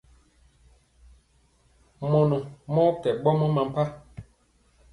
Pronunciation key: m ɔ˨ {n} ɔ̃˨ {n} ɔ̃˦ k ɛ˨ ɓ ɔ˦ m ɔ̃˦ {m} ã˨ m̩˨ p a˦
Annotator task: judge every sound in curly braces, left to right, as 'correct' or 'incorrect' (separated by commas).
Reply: correct, incorrect, correct